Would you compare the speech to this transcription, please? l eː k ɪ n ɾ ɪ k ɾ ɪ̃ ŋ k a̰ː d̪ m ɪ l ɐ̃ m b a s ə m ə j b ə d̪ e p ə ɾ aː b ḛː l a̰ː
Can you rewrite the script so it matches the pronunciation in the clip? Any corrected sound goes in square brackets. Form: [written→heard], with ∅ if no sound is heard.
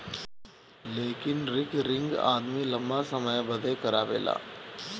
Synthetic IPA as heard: l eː k ɪ n ɾ ɪ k ɾ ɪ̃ ŋ [k→ɡ] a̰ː d̪ m [ɪ→i] l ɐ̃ m b a s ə m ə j b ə d̪ e [p→k] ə ɾ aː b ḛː l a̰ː